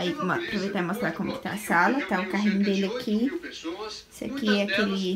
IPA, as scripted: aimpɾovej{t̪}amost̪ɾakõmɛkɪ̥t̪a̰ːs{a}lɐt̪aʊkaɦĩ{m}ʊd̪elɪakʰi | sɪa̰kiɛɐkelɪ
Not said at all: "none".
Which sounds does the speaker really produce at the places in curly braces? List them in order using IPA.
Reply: t̪, a, ɲ

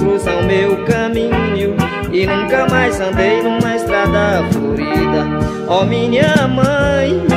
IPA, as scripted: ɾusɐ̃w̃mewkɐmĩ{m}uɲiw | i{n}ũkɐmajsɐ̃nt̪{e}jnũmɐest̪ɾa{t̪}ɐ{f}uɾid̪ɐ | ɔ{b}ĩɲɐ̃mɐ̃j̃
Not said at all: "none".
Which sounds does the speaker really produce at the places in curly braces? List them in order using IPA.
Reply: ɲ, n, e, d̪, f, m

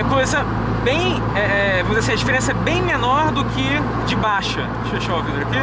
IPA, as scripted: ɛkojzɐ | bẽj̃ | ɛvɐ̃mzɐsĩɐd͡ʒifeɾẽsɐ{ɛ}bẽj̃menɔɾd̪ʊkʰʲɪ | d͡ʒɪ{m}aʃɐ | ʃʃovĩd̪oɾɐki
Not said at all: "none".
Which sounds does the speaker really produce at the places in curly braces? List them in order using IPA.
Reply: ɛ, b

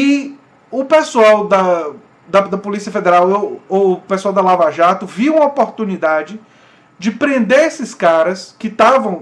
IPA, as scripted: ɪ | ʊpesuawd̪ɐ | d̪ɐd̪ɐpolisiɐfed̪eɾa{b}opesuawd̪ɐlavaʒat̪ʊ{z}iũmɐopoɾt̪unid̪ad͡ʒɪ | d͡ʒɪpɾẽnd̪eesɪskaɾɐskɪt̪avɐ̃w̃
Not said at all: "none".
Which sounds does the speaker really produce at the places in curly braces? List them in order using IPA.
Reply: w, v

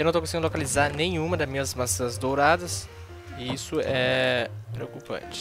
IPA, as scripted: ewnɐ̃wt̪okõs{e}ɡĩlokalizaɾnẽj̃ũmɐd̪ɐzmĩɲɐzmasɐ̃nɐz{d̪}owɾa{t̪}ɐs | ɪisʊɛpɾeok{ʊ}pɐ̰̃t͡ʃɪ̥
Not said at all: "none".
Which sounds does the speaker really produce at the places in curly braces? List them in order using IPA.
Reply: i, d̪, d̪, u

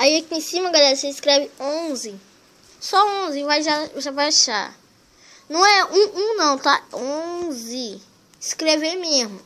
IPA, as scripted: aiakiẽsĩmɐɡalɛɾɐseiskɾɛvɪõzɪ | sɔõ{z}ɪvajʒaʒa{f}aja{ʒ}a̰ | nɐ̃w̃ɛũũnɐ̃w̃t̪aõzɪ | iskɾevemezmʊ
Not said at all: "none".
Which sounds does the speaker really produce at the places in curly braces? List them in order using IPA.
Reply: z, v, ʃ

